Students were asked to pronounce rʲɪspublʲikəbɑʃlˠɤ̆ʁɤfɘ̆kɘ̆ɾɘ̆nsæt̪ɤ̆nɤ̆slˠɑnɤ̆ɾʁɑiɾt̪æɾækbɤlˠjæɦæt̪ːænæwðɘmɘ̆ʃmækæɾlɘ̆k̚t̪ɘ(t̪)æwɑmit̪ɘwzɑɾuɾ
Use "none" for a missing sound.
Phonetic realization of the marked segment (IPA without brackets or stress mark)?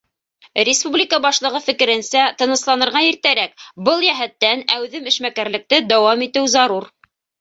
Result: d̪